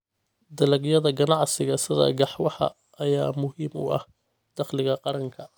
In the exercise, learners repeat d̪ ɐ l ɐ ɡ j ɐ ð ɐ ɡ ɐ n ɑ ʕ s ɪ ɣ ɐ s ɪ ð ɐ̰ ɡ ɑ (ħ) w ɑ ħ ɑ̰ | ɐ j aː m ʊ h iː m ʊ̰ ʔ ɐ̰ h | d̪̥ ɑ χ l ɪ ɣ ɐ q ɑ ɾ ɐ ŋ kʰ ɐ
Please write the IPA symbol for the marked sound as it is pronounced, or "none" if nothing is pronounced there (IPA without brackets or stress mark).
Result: ħ